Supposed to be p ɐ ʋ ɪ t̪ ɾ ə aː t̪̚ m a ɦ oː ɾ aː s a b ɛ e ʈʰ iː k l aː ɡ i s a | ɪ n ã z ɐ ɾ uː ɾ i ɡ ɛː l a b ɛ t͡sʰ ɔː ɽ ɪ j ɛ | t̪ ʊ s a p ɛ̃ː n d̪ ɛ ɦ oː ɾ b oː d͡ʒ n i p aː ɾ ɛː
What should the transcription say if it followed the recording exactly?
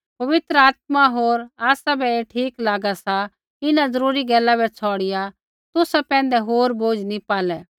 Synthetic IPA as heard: p ɐ ʋ ɪ t̪ ɾ ə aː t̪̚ m a ɦ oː ɾ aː s a b ɛ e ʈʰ iː k l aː ɡ a s a | ɪ n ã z ɐ ɾ uː ɾ i ɡ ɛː l a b ɛ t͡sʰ ɔː ɽ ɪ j a | t̪ ʊ s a p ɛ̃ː n d̪ ɛ ɦ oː ɾ b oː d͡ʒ n i p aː l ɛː